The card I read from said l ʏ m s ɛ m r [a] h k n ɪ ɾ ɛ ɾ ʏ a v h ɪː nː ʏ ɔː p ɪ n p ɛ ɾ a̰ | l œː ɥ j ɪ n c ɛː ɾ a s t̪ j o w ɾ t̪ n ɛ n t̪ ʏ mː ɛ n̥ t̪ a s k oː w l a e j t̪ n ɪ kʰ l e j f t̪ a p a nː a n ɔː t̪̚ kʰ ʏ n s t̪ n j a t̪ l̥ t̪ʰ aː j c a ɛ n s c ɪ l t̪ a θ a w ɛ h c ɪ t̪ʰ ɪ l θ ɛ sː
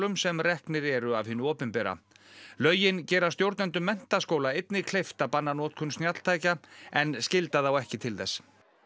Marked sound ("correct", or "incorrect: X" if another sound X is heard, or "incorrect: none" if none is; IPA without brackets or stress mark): incorrect: ɛ